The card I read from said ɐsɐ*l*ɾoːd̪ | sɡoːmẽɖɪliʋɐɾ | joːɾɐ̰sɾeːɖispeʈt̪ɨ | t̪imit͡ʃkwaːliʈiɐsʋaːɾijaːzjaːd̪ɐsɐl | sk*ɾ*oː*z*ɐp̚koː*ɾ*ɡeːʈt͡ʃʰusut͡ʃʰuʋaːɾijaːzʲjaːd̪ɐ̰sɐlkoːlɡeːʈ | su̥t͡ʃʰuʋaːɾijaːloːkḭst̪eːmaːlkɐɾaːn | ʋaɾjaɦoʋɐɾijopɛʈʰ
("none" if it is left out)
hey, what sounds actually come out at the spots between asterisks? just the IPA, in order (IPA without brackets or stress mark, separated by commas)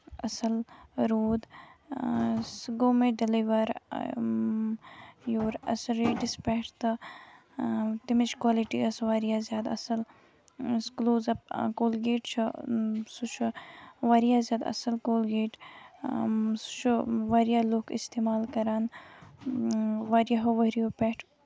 l, l, z, l